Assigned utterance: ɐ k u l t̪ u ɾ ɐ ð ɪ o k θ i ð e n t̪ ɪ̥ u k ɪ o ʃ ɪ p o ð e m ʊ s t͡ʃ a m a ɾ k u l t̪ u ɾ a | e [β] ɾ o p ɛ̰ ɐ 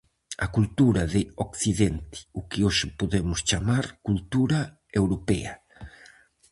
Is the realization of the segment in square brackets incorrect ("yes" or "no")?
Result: yes